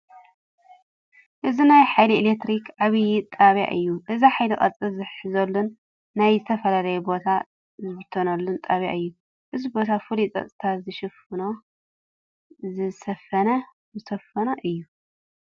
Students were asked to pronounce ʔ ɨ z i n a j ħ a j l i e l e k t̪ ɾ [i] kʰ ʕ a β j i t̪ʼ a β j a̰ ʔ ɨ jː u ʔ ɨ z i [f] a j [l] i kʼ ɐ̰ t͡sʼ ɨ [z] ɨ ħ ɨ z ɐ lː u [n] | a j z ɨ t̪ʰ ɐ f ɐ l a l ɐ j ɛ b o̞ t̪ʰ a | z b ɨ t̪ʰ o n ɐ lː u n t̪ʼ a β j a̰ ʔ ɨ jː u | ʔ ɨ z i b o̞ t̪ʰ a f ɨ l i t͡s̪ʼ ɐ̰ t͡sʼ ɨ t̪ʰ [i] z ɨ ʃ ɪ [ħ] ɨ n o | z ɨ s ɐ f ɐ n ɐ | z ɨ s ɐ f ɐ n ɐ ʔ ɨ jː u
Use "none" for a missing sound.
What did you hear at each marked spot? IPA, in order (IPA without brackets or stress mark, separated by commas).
i, ħ, l, z, nː, a, f